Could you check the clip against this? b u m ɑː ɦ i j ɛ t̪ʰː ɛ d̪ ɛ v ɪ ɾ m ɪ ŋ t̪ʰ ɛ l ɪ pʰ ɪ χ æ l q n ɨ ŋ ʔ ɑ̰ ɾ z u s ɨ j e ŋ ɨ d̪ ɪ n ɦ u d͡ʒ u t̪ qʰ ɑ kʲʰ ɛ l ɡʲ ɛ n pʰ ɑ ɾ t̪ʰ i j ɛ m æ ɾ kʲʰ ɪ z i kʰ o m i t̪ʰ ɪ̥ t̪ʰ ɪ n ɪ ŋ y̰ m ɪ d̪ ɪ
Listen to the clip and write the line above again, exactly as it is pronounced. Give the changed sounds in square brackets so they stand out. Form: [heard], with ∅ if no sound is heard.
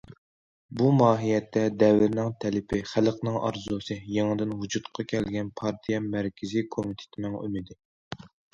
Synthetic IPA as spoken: b u m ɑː ɦ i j ɛ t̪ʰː ɛ d̪ ɛ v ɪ ɾ [n] ɪ ŋ t̪ʰ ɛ l ɪ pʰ ɪ χ æ l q n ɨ ŋ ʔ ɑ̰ ɾ z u s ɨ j e ŋ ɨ d̪ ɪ n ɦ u d͡ʒ u t̪ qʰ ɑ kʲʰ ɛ l ɡʲ ɛ n pʰ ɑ ɾ t̪ʰ i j ɛ m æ ɾ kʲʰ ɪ z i kʰ o m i t̪ʰ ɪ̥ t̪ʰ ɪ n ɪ ŋ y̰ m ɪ d̪ ɪ